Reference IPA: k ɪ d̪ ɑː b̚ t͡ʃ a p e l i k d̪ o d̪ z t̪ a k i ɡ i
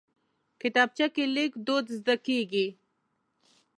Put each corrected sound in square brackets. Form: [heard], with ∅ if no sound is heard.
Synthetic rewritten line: k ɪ [t̪] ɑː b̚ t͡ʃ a [k] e l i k d̪ o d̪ z [d̪] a k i ɡ i